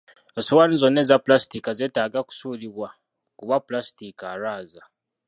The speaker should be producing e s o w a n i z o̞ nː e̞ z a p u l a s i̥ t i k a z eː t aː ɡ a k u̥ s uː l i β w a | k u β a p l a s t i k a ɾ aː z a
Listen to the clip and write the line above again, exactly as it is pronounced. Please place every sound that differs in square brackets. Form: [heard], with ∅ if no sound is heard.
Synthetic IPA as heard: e s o w a n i z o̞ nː e̞ z a p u l a s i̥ t i k a z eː t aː ɡ a k u̥ s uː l i β w a | k u β a p l a s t i k a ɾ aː z a